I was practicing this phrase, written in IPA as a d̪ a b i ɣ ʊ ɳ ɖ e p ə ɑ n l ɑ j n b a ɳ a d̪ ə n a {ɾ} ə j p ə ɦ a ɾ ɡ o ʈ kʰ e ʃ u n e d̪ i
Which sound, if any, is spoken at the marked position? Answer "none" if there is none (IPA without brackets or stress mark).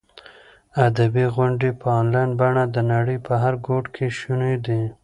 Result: ɽ